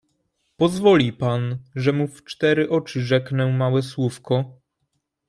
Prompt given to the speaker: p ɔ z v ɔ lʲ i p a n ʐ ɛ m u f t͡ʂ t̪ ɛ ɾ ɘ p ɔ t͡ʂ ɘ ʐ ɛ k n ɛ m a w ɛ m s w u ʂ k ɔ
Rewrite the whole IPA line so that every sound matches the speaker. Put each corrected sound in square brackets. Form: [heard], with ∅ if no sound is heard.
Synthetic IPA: p ɔ z v ɔ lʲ i p a n ʐ ɛ m u f t͡ʂ t̪ ɛ ɾ ɘ [ʔ] ɔ t͡ʂ ɘ ʐ ɛ k n ɛ m a w ɛ [∅] s w u [f] k ɔ